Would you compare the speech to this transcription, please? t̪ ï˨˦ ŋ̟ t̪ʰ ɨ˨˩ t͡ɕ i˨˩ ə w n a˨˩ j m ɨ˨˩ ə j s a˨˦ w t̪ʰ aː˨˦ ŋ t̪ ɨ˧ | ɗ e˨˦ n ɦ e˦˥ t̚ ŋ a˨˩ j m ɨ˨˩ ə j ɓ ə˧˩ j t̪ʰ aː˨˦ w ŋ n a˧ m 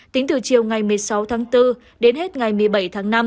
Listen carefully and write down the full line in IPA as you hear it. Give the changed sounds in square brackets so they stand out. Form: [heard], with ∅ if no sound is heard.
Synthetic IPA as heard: t̪ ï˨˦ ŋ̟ [t̪] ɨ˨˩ t͡ɕ i˨˩ ə w [ŋ] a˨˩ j m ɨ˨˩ ə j s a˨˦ w t̪ʰ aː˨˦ ŋ t̪ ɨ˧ | ɗ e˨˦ n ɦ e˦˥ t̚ ŋ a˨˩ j m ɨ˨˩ ə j ɓ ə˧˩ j t̪ʰ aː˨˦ [∅] ŋ n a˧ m